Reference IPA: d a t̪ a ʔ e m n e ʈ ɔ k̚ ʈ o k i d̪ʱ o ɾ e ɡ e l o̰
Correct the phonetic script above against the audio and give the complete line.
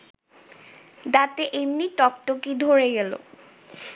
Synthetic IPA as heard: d a t̪ e ʔ e m n i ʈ ɔ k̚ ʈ o k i d̪ʱ o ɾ e ɡ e l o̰